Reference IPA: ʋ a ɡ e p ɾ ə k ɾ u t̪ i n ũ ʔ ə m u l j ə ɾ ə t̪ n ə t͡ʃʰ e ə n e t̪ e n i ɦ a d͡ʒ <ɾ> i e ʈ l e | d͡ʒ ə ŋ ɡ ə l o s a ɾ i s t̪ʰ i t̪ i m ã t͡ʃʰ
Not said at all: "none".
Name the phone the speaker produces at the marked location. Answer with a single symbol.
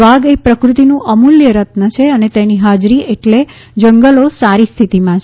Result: ɾ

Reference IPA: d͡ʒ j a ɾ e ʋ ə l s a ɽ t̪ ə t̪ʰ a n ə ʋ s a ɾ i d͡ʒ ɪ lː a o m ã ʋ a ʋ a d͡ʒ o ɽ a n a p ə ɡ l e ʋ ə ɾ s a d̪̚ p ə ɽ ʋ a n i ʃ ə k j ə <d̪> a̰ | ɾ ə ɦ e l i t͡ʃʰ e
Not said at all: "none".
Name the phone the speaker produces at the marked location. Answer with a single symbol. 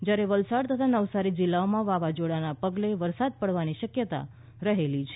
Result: t̪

